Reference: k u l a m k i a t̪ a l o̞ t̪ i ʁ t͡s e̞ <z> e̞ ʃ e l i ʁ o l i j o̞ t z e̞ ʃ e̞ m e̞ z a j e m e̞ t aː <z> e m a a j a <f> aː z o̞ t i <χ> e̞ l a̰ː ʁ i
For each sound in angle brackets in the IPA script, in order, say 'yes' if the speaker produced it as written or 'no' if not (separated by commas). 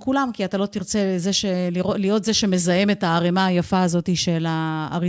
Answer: yes, no, yes, no